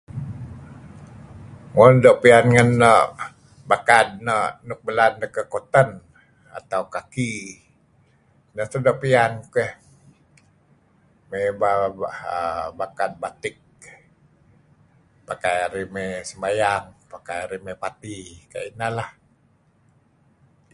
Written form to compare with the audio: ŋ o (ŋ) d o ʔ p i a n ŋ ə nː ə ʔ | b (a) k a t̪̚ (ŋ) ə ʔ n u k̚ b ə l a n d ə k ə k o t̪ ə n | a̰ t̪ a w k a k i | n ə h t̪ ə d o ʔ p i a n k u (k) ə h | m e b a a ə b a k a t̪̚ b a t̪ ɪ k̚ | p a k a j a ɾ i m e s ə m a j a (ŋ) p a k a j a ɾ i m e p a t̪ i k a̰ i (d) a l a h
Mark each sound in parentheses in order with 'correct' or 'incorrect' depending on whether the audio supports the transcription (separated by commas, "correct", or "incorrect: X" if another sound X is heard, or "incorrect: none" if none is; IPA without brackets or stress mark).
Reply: incorrect: n, correct, incorrect: n, correct, correct, incorrect: n